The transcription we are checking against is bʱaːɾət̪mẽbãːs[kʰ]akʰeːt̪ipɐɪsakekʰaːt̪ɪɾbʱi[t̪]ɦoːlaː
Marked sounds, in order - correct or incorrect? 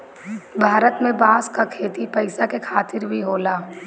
incorrect: k, incorrect: none

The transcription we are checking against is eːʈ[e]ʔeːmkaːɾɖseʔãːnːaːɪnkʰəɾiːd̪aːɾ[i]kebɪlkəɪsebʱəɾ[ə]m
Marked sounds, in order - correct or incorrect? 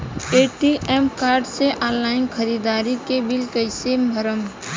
incorrect: i, correct, correct

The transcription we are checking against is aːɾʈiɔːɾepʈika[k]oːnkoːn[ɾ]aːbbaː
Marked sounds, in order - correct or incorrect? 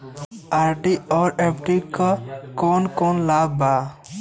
correct, incorrect: l

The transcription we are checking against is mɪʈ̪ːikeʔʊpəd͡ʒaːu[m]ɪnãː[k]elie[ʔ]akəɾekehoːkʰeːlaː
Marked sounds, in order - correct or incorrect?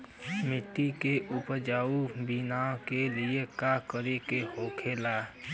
incorrect: b, correct, incorrect: k

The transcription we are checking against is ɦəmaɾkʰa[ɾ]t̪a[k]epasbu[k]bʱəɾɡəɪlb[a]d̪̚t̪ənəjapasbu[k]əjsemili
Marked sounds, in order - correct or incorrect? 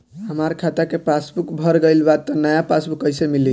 incorrect: none, correct, correct, correct, correct

